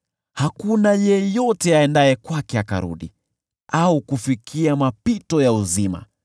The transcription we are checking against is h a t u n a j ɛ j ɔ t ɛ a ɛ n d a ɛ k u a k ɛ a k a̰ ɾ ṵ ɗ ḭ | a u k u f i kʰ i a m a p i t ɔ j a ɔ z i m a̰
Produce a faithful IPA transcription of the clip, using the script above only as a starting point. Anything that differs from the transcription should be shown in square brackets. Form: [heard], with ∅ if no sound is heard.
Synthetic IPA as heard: h a [k] u n a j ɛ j ɔ t ɛ a ɛ n d a ɛ k [w] a k ɛ a k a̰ ɾ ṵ ɗ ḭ | a u k u f i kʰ i a m a p i t ɔ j a [u] z i m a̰